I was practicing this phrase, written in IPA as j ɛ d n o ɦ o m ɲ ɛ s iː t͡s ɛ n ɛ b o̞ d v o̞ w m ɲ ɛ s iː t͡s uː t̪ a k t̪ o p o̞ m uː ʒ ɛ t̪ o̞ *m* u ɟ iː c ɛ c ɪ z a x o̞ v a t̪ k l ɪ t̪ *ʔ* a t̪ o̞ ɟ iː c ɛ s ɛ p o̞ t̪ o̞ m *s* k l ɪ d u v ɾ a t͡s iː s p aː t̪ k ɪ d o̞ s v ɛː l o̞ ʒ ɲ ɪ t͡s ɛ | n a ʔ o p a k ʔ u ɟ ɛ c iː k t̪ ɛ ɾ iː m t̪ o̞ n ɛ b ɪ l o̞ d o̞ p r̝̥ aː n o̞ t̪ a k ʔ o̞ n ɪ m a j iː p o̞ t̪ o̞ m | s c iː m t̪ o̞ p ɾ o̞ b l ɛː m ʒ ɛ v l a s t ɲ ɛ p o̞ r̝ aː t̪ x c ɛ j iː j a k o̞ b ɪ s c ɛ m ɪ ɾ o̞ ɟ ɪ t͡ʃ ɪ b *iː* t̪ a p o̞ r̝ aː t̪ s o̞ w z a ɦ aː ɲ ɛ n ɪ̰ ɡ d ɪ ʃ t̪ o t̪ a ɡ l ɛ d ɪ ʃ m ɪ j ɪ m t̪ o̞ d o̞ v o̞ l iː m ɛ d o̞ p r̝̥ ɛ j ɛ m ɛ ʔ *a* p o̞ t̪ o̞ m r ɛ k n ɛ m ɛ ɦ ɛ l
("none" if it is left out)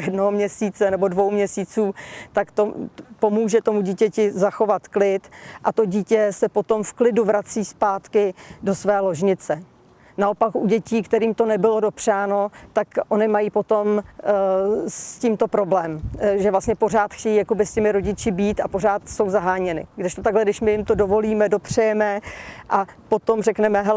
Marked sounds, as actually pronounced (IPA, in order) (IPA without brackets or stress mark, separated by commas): m, ʔ, f, iː, a